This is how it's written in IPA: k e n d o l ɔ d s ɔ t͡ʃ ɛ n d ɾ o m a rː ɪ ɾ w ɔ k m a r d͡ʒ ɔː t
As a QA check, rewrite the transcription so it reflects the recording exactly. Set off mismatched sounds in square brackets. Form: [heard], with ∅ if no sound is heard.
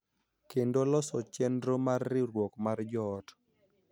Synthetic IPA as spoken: k e n d o l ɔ [∅] s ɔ t͡ʃ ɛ n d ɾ o m a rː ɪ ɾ w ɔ k m a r d͡ʒ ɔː t